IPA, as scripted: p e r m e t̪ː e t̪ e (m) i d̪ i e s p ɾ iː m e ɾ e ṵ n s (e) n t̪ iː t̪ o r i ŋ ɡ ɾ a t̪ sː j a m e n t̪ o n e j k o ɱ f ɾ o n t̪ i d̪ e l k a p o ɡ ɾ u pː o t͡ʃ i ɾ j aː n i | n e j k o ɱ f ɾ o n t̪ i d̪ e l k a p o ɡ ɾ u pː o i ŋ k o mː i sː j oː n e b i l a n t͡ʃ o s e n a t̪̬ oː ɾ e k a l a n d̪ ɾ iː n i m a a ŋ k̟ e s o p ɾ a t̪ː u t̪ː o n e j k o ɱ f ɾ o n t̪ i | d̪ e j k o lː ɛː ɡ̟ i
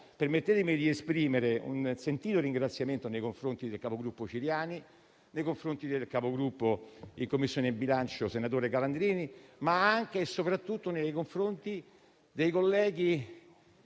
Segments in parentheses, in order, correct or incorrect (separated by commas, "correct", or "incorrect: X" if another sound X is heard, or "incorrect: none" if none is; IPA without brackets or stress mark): correct, correct